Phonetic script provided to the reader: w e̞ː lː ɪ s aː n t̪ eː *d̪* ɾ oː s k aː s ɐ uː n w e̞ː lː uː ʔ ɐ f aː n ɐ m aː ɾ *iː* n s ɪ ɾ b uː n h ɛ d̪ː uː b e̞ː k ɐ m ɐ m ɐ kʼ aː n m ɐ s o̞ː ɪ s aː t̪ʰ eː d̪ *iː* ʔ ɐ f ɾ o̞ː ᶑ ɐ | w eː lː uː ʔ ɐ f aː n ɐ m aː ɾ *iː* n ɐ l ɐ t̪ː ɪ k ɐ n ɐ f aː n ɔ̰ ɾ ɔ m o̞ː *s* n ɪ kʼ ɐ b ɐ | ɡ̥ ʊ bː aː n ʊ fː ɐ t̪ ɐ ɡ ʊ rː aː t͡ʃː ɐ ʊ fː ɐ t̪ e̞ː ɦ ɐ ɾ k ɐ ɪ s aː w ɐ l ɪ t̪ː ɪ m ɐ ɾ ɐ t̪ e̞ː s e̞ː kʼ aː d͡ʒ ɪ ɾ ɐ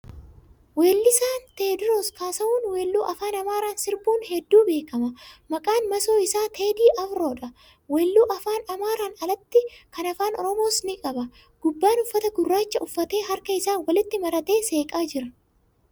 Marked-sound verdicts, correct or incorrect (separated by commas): correct, incorrect, correct, incorrect, correct